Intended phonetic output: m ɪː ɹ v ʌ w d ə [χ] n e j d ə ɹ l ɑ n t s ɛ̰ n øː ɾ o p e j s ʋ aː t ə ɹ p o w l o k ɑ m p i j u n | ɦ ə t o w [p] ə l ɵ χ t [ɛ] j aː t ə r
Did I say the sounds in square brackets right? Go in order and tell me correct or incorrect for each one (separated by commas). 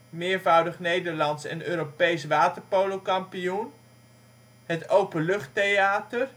correct, correct, incorrect